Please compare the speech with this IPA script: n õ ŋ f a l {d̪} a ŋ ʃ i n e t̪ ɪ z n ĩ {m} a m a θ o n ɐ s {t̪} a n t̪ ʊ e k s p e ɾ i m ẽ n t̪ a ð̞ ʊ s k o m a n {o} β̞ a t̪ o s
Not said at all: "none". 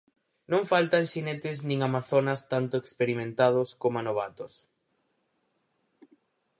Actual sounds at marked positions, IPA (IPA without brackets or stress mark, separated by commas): t̪, ŋ, t̪, o